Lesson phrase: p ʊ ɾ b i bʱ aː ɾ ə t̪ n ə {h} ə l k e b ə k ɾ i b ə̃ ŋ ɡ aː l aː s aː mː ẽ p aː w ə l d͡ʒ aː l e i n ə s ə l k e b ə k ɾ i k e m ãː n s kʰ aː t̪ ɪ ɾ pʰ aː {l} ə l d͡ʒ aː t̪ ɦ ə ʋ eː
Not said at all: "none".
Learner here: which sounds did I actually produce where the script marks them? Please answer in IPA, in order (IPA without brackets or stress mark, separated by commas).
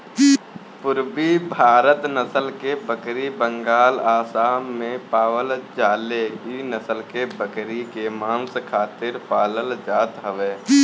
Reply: s, l